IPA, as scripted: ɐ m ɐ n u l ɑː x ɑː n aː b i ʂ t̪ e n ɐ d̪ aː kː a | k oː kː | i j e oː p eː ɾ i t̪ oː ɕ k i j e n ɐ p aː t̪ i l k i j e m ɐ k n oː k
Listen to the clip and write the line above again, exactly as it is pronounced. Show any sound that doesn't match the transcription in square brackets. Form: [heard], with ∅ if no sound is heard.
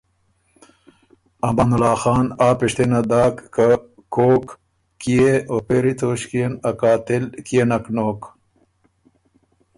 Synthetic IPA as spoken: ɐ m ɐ n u l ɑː x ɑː n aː [p] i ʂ t̪ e n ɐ d̪ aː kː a | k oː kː | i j e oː p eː ɾ i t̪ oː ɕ k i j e n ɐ [k] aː t̪ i l k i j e [n] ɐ k n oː k